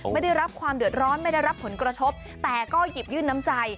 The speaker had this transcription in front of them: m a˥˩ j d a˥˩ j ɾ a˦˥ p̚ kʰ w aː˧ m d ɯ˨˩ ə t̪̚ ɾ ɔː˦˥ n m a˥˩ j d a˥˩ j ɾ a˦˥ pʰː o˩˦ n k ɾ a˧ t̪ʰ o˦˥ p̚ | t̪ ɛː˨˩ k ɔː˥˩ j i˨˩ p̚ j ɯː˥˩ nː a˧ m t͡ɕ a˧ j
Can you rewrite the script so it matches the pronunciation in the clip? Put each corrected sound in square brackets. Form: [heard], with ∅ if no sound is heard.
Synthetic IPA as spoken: m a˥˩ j d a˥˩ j ɾ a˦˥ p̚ kʰ w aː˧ m d ɯ˨˩ ə t̪̚ ɾ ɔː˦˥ n m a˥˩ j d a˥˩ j ɾ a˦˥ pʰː o˩˦ n k ɾ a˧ t̪ʰ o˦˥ p̚ | t̪ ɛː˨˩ k ɔː˥˩ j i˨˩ p̚ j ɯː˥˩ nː [a˦˥] m t͡ɕ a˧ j